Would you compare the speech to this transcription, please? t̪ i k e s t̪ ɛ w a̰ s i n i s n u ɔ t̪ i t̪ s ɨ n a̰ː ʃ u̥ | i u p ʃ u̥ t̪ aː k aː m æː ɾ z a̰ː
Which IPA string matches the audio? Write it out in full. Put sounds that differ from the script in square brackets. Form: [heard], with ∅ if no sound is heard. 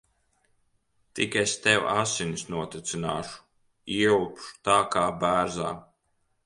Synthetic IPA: t̪ i k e s t̪ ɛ w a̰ s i n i s n u ɔ t̪ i t̪ s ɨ n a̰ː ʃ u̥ | i u p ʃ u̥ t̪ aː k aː [b] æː ɾ z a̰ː